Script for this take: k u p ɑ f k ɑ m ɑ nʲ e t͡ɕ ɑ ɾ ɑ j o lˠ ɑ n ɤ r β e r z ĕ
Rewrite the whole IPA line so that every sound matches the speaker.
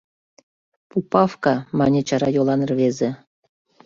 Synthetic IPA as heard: p u p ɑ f k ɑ m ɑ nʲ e t͡ɕ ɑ ɾ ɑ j o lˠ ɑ n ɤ r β e z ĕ